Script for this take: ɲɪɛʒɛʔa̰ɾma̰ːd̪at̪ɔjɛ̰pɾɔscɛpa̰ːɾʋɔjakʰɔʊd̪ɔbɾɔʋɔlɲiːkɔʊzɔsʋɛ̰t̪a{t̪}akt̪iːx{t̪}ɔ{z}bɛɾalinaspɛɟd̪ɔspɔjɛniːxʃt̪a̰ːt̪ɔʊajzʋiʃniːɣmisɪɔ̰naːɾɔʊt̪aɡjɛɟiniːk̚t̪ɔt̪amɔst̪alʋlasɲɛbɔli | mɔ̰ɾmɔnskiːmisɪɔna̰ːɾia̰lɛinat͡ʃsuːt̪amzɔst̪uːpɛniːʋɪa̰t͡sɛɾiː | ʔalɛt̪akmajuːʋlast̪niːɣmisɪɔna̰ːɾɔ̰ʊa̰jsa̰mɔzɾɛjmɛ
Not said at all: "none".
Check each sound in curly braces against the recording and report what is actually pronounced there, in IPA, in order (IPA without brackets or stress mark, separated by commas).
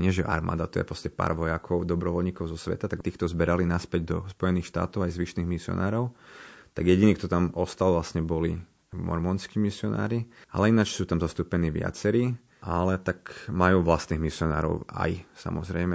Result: t̪, t̪, z